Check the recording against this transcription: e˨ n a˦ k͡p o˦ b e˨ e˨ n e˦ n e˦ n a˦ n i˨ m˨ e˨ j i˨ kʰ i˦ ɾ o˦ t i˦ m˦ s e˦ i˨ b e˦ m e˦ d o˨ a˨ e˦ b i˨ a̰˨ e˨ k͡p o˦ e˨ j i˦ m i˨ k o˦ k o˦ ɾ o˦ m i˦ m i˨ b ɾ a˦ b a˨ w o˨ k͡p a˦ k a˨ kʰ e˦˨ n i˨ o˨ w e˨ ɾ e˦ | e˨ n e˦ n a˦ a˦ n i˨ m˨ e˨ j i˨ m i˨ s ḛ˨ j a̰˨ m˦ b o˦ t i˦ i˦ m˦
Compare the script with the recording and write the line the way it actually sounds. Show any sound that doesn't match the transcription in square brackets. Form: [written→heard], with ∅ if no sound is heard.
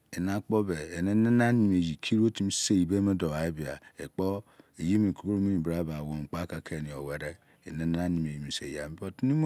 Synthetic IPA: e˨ n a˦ k͡p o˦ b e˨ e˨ n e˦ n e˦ n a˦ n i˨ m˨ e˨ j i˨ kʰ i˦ ɾ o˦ t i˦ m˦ s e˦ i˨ b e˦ m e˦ d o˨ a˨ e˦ b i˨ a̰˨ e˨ k͡p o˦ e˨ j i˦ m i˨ k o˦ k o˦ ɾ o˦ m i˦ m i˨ b ɾ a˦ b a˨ w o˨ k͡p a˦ k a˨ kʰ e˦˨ n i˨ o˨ w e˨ ɾ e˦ | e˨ n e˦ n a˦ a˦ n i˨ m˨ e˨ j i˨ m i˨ s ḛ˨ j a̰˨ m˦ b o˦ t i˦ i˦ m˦